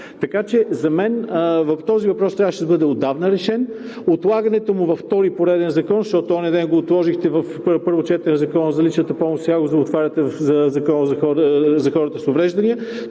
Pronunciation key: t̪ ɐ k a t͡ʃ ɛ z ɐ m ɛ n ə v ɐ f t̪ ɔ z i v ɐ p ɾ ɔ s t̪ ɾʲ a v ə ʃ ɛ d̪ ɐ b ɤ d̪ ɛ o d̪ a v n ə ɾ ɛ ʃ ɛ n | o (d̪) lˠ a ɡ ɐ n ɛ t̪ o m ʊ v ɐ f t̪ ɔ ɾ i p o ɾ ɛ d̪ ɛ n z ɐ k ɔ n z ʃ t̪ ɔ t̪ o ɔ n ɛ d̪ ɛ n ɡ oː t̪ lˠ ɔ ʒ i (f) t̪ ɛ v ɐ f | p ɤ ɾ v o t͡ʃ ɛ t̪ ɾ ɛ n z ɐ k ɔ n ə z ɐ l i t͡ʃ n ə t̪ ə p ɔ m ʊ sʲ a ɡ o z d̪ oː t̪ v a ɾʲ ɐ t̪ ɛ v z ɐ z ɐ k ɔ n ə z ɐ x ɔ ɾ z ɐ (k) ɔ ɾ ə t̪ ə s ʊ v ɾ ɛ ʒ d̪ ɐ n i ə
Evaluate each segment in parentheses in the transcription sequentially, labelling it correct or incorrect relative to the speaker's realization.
incorrect: t̪, incorrect: x, incorrect: x

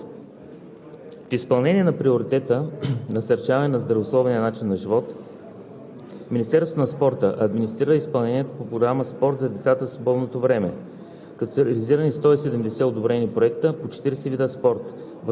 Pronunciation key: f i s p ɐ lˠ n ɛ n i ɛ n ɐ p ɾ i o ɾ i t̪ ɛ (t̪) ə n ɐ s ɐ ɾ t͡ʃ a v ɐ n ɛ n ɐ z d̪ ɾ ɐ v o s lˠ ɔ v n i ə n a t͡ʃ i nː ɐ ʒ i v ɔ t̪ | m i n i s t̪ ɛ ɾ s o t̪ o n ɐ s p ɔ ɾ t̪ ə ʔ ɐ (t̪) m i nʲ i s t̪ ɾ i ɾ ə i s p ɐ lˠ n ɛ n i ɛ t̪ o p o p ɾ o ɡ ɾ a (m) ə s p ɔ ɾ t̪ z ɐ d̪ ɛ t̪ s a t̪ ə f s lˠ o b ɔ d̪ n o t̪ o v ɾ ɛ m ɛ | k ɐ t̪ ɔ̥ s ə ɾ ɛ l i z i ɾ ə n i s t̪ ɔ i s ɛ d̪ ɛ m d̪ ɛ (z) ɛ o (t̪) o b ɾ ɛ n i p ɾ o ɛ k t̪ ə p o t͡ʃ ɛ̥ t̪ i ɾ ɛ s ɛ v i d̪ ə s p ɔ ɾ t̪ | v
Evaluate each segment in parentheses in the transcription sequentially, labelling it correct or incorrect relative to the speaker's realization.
correct, incorrect: d̪, correct, incorrect: s, incorrect: d̪

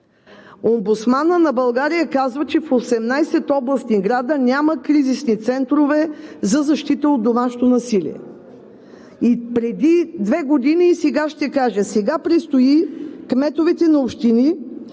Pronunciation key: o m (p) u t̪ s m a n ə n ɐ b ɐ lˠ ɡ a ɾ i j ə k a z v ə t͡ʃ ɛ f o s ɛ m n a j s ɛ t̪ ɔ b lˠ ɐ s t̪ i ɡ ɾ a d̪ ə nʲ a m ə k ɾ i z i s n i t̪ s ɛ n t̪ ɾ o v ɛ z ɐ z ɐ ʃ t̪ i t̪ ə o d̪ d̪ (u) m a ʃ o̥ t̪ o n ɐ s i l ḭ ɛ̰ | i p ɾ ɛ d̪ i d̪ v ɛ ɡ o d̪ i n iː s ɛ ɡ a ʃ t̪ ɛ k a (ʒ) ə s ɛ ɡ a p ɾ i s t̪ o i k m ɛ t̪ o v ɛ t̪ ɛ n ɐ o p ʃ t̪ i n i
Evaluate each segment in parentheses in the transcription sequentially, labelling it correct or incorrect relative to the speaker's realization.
incorrect: b, incorrect: o, correct

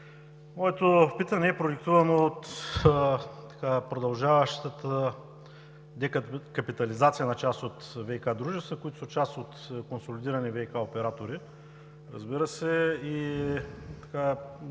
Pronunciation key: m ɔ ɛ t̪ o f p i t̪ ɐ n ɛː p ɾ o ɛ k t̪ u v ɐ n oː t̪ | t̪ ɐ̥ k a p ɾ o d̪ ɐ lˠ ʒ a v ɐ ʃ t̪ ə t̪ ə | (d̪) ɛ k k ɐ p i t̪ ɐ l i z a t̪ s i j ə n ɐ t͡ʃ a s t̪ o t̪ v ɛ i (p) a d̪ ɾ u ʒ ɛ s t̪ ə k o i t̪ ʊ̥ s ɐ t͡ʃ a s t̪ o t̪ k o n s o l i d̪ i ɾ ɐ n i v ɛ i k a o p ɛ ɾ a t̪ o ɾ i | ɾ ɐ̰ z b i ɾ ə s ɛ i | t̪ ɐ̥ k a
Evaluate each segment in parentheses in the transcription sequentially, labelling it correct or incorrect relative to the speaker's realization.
correct, incorrect: k

